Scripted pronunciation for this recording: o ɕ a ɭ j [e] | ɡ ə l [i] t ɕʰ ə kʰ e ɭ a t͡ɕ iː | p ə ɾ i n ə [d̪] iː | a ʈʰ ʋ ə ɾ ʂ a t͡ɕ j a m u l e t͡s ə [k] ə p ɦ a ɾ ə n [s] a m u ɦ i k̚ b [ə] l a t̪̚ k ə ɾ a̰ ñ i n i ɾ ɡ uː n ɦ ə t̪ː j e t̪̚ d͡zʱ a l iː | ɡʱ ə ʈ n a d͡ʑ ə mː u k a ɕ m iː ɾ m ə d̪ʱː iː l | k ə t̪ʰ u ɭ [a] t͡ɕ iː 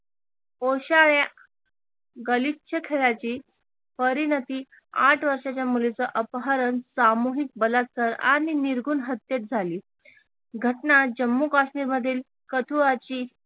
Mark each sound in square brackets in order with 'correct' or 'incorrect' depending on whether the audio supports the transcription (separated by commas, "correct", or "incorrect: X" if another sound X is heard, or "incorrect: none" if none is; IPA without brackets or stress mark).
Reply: incorrect: a, correct, incorrect: t̪, incorrect: ʔ, correct, correct, correct